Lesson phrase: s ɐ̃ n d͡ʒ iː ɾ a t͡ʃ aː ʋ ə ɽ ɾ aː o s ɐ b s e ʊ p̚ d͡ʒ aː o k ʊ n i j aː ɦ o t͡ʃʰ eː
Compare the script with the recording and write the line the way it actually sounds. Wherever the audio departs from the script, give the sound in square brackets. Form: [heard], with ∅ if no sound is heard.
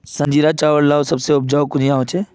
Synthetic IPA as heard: s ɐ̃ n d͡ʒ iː ɾ a t͡ʃ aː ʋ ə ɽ [l] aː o s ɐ b s e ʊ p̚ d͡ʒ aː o k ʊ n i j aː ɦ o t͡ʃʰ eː